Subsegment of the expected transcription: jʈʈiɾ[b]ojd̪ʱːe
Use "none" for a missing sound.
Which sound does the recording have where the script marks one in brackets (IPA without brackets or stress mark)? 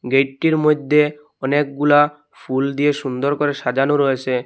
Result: m